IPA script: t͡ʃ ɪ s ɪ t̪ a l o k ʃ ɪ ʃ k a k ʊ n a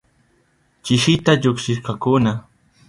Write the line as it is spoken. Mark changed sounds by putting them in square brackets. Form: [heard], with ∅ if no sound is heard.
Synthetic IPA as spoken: t͡ʃ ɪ [ʃ] ɪ t̪ a [ʎ] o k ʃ ɪ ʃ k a k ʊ n a